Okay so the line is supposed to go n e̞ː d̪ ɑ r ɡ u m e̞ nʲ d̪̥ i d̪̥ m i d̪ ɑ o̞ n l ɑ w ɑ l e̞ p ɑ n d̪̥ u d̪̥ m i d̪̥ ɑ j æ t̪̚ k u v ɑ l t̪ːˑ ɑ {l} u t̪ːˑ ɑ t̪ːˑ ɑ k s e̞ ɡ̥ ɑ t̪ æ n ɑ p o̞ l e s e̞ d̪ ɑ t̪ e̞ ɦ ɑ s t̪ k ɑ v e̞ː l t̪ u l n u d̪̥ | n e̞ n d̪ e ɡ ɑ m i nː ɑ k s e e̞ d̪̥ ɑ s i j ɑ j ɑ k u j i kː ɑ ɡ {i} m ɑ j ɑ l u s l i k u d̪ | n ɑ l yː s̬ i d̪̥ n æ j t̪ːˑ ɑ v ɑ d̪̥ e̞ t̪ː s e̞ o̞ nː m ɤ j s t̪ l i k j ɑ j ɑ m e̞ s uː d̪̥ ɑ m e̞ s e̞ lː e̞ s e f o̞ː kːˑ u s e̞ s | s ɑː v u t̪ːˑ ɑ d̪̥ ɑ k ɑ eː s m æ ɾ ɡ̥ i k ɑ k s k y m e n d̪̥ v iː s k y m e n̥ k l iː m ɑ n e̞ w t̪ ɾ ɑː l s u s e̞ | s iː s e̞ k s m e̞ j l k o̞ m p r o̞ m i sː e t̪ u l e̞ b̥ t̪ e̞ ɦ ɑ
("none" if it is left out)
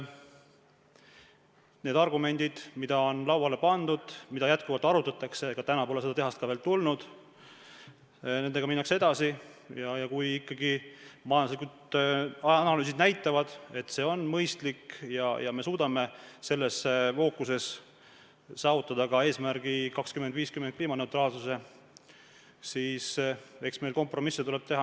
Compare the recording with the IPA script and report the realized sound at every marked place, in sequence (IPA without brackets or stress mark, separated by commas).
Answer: ɾ, i